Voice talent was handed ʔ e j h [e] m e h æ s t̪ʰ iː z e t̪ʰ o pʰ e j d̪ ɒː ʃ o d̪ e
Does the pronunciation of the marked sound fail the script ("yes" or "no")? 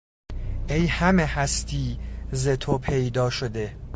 yes